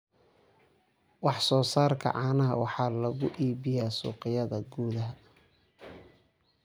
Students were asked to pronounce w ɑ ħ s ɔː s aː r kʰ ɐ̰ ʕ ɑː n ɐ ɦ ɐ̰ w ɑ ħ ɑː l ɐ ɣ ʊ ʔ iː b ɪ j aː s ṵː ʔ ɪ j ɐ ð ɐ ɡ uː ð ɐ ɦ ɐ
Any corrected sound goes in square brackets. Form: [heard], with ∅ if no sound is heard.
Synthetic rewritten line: w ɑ ħ s ɔː s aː r kʰ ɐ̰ ʕ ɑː n ɐ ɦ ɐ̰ w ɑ ħ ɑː l ɐ ɣ ʊ ʔ iː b ɪ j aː s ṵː [q] ɪ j ɐ ð ɐ ɡ uː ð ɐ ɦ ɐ

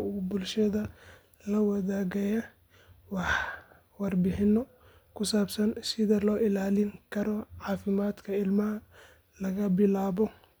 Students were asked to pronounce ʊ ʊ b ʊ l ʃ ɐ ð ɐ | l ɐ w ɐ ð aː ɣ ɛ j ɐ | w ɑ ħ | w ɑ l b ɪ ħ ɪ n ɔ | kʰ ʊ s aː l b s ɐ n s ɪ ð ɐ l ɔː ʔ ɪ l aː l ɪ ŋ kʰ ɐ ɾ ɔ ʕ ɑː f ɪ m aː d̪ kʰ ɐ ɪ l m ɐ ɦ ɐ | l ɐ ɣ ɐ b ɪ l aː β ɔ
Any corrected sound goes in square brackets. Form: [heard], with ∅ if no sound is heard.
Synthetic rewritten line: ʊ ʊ b ʊ l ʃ ɐ ð ɐ | l ɐ w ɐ ð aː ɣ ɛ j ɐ | w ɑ ħ | w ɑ [r] b ɪ ħ ɪ n ɔ | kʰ ʊ s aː [∅] b s ɐ n s ɪ ð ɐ l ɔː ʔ ɪ l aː l ɪ ŋ kʰ ɐ ɾ ɔ ʕ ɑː f ɪ m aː d̪ kʰ ɐ ɪ l m ɐ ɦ ɐ | l ɐ ɣ ɐ b ɪ l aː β ɔ

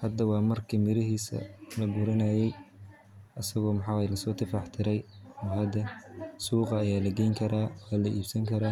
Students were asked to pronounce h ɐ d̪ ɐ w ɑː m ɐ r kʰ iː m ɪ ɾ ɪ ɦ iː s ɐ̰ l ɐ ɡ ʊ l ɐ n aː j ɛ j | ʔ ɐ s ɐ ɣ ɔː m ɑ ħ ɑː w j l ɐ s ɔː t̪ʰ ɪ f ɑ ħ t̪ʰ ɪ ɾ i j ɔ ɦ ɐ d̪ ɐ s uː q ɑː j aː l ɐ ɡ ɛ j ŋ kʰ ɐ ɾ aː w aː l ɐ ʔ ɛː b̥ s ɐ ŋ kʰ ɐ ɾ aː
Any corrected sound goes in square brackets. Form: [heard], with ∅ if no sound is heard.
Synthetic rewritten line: h ɐ d̪ ɐ w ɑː m ɐ r kʰ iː m ɪ ɾ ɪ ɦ iː s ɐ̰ l ɐ ɡ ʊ [ɾ] ɐ n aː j ɛ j | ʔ ɐ s ɐ ɣ ɔː m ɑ ħ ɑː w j l ɐ s ɔː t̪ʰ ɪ f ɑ ħ t̪ʰ ɪ ɾ [ɛ] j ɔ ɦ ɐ d̪ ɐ s uː q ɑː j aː l ɐ ɡ ɛ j ŋ kʰ ɐ ɾ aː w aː l ɐ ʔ [iː] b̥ s ɐ ŋ kʰ ɐ ɾ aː

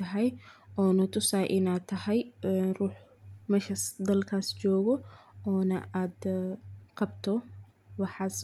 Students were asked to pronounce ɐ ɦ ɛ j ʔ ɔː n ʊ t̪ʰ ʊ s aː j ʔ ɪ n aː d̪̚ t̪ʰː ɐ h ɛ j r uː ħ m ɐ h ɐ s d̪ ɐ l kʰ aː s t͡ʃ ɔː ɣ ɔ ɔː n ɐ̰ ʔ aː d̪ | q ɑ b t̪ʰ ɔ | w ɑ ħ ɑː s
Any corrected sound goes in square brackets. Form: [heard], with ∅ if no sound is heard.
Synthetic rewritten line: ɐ ɦ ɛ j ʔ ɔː n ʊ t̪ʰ ʊ s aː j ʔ ɪ n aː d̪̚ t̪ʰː ɐ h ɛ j r uː ħ m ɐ [ʃ] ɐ s d̪ ɐ l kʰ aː s t͡ʃ ɔː ɣ ɔ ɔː n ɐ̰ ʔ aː d̪ | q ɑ b t̪ʰ ɔ | w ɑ ħ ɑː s

